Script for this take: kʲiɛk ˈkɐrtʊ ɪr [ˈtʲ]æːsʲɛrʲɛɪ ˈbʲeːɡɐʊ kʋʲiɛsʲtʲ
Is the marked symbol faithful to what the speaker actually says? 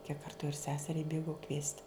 no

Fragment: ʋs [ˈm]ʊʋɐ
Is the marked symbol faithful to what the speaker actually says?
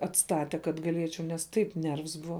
no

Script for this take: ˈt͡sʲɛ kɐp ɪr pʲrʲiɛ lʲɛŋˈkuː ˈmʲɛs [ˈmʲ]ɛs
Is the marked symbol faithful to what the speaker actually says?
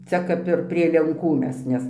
no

